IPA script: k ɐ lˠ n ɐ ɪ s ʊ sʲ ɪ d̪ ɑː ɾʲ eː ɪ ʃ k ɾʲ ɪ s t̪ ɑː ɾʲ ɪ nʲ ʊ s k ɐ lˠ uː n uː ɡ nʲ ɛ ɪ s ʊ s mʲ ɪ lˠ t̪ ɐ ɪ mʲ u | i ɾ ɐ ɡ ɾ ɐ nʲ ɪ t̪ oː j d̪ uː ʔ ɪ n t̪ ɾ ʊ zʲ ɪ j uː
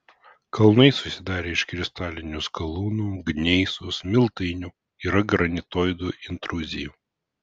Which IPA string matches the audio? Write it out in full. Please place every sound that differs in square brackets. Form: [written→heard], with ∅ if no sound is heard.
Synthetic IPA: k ɐ lˠ n ɐ ɪ s ʊ sʲ ɪ d̪ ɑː ɾʲ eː ɪ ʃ k ɾʲ ɪ s t̪ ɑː [ɾʲ→lʲ] ɪ nʲ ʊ s k ɐ lˠ uː n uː ɡ nʲ ɛ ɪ s ʊ s mʲ ɪ lˠ t̪ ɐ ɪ [mʲ→nʲ] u | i ɾ ɐ ɡ ɾ ɐ nʲ ɪ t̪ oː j d̪ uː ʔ ɪ n t̪ ɾ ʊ zʲ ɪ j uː